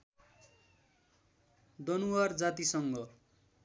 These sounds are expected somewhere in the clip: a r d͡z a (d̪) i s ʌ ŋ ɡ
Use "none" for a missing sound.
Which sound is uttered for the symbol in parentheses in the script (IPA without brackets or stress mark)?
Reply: t̪